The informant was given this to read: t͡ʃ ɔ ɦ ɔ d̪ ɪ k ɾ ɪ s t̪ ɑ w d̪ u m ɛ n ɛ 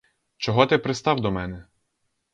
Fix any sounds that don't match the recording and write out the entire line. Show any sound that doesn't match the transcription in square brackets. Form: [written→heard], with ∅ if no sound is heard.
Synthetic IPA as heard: t͡ʃ ɔ ɦ ɔ [d̪→t̪] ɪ [k→p] ɾ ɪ s t̪ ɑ w d̪ [u→ɔ] m ɛ n ɛ